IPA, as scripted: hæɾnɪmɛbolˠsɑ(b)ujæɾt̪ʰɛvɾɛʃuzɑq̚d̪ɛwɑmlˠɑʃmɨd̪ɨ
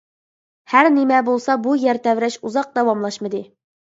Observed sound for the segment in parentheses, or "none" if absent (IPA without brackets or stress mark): b